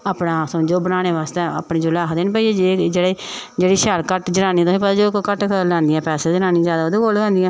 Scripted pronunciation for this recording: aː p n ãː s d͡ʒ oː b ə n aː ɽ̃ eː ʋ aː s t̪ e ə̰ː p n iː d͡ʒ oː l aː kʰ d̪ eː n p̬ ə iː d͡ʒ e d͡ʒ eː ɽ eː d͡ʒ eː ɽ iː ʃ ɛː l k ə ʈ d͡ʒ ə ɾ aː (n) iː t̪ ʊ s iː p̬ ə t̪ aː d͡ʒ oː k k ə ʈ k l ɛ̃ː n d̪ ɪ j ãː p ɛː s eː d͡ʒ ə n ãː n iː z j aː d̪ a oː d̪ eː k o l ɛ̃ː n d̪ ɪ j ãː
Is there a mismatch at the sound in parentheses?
no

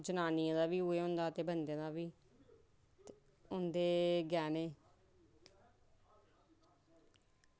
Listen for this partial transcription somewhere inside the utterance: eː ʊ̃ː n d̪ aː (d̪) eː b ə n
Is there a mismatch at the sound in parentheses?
yes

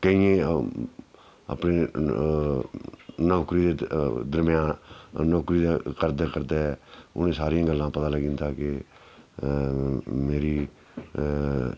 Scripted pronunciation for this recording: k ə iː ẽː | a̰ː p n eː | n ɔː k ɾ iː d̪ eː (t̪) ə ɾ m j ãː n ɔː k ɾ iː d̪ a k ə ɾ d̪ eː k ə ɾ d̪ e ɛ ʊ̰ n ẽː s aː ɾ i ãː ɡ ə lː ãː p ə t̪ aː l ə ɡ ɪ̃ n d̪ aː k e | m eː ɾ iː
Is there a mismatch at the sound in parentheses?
yes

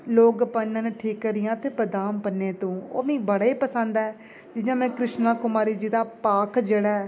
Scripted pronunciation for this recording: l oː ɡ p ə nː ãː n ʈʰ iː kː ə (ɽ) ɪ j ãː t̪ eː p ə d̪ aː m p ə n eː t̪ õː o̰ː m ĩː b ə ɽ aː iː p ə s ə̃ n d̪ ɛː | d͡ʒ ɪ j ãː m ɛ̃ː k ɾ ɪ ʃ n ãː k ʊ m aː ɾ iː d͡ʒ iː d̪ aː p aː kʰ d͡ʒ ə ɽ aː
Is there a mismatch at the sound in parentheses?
yes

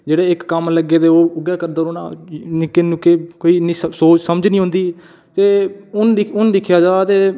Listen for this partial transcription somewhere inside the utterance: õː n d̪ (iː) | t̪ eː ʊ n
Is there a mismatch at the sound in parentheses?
no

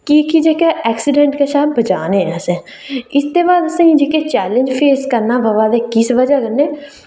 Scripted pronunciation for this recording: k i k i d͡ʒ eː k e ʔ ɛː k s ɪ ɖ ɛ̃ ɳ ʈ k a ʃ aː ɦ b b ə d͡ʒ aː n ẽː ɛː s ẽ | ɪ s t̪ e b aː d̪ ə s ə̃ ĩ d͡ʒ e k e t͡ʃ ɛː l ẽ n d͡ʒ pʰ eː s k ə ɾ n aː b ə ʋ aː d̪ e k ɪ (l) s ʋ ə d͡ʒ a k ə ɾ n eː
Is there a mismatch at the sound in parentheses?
yes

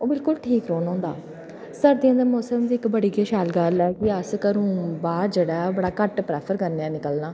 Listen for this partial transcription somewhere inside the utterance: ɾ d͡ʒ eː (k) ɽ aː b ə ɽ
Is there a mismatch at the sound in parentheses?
yes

